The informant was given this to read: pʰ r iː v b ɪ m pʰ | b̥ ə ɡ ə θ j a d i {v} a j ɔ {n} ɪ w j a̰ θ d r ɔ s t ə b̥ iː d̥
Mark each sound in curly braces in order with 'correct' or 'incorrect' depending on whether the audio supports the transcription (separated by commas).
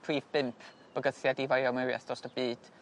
correct, incorrect